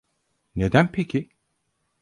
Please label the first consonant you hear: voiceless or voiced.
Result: voiced